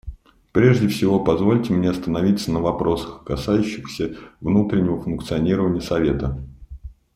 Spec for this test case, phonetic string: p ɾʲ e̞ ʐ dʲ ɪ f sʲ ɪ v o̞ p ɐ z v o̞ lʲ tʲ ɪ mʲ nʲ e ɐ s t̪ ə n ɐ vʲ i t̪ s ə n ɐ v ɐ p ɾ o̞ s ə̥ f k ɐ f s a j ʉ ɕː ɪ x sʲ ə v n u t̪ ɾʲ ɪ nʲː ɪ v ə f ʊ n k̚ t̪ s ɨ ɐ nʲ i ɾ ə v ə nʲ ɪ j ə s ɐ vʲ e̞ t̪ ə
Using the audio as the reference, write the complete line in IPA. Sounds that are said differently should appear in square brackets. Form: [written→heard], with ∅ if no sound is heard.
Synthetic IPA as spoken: p ɾʲ e̞ ʐ dʲ ɪ f sʲ ɪ v o̞ p ɐ z v o̞ lʲ tʲ ɪ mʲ nʲ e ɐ s t̪ ə n ɐ vʲ i t̪ s ə n [ɐ→ə] v ɐ p ɾ o̞ s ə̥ [f→x] k ɐ [f→∅] s a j ʉ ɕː ɪ x sʲ ə v n u t̪ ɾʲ ɪ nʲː ɪ v ə f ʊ n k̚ t̪ s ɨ ɐ nʲ i ɾ ə v ə nʲ ɪ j ə s ɐ vʲ e̞ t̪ ə